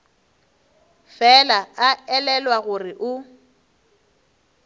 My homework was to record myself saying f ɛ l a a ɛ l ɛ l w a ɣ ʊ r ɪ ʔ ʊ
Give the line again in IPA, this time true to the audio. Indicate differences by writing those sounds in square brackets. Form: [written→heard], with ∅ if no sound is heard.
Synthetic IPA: f ɛ l a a ɛ l ɛ l w a ɣ ʊ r ɪ ʔ ʊ